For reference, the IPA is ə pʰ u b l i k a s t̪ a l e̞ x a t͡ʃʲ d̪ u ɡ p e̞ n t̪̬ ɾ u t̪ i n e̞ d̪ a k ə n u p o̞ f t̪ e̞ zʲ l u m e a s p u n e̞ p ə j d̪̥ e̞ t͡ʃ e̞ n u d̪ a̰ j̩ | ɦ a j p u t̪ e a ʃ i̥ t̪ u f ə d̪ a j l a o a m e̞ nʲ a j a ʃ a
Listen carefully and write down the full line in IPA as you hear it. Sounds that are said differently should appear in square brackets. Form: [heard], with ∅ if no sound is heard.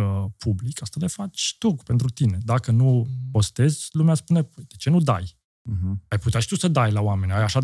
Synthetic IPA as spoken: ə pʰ u b l i k a s t̪ a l e̞ [f] a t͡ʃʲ [t̪] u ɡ p e̞ n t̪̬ ɾ u t̪ i n e̞ d̪ a k ə n u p o̞ [s] t̪ e̞ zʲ l u m e a s p u n e̞ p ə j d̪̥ e̞ t͡ʃ e̞ n u d̪ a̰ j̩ | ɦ a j p u t̪ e a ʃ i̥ t̪ u [s] ə d̪ a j l a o a m e̞ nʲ a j a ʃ a